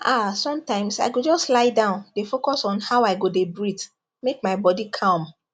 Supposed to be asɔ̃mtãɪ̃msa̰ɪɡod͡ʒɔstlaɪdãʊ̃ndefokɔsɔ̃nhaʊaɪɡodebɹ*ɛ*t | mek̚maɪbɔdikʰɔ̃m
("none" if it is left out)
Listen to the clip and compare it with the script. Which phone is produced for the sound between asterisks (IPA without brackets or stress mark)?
i